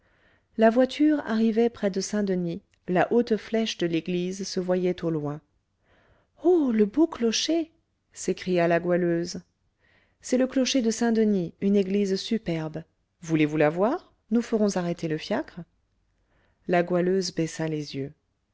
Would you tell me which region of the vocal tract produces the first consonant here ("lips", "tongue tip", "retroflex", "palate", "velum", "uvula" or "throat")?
tongue tip